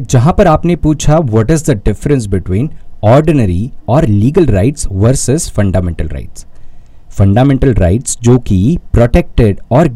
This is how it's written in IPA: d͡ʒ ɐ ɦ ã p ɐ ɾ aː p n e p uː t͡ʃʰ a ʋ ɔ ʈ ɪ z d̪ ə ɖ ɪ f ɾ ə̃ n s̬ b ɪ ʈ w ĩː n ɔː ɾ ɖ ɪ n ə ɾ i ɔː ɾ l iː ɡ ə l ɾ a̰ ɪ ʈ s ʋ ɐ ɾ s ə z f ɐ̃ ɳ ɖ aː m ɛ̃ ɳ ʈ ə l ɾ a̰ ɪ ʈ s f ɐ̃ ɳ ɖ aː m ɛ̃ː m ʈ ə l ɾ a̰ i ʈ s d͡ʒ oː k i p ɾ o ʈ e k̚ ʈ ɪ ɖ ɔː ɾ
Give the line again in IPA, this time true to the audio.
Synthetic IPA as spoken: d͡ʒ ɐ ɦ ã p ɐ ɾ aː p n e p uː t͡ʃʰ a ʋ ɔ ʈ ɪ z d̪ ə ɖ ɪ f ɾ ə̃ n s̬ b ɪ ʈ w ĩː n ɔː ɾ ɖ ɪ n ə ɾ i ɔː ɾ l iː ɡ ə l ɾ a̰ ɪ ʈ s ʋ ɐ ɾ s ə z f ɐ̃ ɳ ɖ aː m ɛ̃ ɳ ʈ ə l ɾ a̰ ɪ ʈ s f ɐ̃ ɳ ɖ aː m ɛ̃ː ɳ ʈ ə l ɾ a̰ ɪ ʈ s d͡ʒ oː k i p ɾ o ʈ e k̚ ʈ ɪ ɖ ɔː ɾ